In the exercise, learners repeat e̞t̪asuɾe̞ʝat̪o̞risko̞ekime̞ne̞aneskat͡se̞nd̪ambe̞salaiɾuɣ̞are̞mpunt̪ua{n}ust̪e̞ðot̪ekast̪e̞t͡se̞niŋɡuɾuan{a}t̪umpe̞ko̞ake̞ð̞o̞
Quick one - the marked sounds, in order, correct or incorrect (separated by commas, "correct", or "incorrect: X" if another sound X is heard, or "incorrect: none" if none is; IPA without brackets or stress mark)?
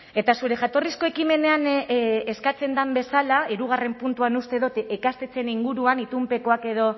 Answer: correct, incorrect: i